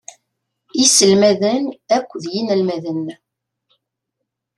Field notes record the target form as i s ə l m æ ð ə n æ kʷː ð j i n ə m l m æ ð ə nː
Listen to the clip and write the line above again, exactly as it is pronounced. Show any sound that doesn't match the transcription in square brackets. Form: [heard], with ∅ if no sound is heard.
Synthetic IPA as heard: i s ə l m æ ð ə n æ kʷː ð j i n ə [∅] l m æ ð ə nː